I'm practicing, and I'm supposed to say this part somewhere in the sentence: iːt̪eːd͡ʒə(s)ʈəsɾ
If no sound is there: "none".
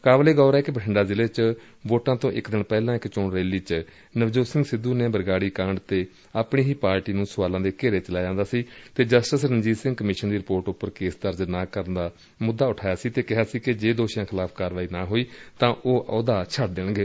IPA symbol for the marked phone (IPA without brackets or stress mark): s